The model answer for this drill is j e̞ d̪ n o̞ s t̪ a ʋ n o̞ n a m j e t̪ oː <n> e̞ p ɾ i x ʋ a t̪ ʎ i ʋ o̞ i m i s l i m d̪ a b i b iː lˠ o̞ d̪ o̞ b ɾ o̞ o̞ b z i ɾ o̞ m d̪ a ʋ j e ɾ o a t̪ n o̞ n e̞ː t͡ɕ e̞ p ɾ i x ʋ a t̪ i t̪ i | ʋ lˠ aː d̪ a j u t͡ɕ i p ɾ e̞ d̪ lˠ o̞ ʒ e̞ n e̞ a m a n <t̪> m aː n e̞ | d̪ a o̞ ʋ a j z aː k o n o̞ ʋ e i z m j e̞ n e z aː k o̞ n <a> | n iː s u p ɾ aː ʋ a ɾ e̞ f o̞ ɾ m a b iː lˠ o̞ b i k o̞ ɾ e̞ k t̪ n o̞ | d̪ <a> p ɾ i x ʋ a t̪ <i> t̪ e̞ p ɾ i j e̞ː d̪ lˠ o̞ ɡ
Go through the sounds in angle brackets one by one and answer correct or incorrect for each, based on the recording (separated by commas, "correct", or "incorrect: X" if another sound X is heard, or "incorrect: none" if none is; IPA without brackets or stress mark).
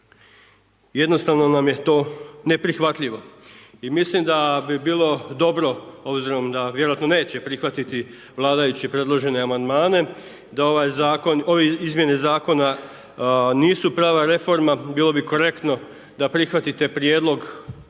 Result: correct, incorrect: d̪, correct, correct, correct